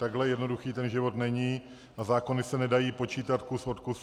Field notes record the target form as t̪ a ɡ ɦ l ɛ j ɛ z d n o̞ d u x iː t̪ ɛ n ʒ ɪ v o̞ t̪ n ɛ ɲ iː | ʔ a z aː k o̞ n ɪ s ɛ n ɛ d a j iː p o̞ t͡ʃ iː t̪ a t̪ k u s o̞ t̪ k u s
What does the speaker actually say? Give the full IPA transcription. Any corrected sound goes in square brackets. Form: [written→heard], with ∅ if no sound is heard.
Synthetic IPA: t̪ a ɡ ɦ l ɛ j ɛ [z→∅] d n o̞ d u x iː t̪ ɛ n ʒ ɪ v o̞ t̪ n ɛ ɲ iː | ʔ a z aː k o̞ n ɪ s ɛ n ɛ d a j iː p o̞ t͡ʃ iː t̪ a t̪ k u s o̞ t̪ k u s